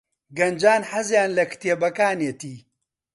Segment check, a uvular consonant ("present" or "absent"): absent